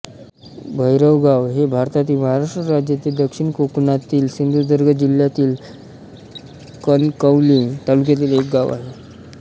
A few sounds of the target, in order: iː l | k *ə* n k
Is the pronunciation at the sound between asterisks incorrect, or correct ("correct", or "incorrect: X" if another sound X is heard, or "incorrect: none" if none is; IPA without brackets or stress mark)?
correct